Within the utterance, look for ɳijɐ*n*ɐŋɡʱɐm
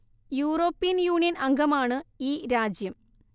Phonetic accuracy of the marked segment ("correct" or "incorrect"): correct